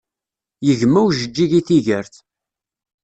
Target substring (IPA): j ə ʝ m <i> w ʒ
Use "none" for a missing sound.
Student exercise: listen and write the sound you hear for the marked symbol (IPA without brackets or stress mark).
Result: æ